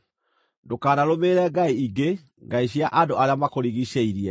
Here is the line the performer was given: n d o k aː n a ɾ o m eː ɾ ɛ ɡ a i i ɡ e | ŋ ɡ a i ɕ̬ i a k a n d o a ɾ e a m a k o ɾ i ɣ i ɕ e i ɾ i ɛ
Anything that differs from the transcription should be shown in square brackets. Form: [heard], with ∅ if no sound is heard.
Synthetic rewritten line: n d o k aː n a ɾ o m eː ɾ ɛ ɡ a i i ɡ e | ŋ ɡ a i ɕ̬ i a [ʔ] a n d o a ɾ e a m a k o ɾ i ɣ i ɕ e i ɾ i ɛ